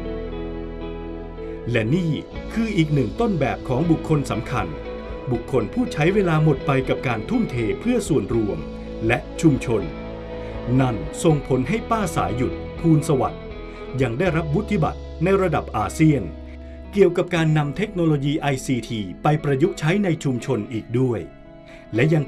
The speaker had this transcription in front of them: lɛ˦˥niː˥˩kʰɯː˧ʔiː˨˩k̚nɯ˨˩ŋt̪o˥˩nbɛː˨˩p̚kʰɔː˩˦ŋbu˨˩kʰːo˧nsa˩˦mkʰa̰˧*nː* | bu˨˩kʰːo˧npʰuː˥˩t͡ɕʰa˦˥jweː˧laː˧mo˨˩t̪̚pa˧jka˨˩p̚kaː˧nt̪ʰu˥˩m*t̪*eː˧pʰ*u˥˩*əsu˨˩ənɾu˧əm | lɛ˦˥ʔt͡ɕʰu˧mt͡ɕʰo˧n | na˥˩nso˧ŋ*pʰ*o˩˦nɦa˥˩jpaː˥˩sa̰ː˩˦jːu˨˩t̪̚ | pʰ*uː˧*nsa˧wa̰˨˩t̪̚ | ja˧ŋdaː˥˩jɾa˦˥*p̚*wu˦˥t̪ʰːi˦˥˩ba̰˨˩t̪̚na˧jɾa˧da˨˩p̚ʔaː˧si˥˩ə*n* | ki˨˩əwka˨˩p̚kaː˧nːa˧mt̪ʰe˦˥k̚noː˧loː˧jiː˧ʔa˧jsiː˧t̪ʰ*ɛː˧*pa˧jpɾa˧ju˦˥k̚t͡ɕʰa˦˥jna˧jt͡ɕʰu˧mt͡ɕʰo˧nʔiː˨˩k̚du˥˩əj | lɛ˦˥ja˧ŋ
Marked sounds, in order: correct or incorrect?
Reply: incorrect, incorrect, incorrect, correct, correct, correct, correct, incorrect

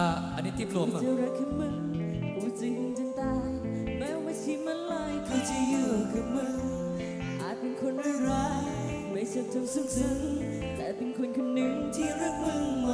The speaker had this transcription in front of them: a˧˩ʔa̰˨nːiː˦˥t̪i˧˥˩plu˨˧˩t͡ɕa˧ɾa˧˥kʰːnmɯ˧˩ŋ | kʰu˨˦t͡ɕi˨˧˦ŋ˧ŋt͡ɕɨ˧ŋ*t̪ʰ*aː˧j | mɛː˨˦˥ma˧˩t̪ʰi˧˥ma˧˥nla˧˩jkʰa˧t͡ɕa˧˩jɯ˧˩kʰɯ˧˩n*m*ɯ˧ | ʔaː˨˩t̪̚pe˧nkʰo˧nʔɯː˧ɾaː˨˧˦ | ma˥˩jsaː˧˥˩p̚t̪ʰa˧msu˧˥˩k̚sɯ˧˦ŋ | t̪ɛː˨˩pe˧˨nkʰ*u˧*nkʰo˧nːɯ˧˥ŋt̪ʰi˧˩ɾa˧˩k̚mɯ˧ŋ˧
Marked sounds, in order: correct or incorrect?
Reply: incorrect, correct, incorrect

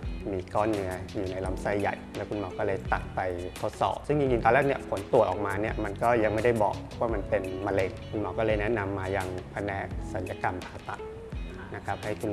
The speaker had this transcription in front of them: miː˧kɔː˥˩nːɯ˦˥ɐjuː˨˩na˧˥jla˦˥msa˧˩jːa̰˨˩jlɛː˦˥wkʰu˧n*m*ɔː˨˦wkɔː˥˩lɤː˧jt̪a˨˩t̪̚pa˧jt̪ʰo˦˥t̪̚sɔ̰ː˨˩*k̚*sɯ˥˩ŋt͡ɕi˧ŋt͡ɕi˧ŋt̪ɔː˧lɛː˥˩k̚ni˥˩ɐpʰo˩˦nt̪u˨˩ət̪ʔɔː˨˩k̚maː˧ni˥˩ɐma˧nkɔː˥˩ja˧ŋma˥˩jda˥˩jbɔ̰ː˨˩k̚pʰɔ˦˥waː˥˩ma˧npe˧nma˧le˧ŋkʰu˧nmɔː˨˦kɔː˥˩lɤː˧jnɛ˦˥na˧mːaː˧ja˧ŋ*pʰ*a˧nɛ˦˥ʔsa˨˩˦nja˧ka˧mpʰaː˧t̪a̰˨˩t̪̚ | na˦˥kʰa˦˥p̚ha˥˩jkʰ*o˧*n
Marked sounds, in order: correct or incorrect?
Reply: correct, incorrect, correct, incorrect

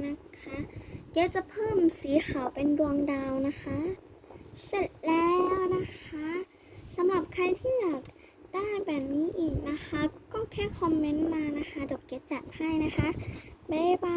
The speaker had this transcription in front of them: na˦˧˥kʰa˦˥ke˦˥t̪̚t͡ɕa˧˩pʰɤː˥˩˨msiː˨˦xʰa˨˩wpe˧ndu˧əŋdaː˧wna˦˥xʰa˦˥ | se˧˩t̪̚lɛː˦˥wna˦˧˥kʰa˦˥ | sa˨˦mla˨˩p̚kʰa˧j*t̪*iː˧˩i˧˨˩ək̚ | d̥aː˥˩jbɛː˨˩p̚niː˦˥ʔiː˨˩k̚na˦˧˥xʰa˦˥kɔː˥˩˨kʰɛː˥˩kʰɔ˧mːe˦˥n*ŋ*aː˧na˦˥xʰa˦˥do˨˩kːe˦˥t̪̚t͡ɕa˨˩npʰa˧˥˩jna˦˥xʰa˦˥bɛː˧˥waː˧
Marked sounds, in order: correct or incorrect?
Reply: incorrect, incorrect

